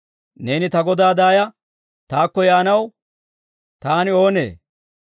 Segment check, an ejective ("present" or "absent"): absent